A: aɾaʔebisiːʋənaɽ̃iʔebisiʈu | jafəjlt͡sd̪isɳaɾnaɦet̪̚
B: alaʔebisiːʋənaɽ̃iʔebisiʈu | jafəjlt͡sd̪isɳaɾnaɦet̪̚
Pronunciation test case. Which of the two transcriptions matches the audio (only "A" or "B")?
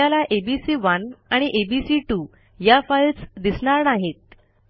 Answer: B